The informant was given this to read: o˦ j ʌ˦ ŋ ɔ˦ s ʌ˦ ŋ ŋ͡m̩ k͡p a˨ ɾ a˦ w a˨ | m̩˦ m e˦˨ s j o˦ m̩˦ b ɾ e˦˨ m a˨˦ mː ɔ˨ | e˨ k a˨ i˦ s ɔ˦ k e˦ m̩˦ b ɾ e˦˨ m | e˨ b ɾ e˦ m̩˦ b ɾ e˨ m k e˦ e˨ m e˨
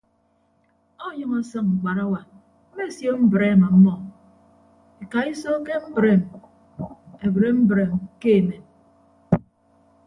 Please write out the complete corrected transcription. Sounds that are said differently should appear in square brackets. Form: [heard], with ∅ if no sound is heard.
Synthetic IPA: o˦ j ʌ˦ ŋ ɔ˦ s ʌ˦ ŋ ŋ͡m̩ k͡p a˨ ɾ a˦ w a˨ | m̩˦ m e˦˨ s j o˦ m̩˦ b ɾ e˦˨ m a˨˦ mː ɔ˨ | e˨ k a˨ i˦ s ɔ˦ k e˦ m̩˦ b ɾ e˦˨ m | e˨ b ɾ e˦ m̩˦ b ɾ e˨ m k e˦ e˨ m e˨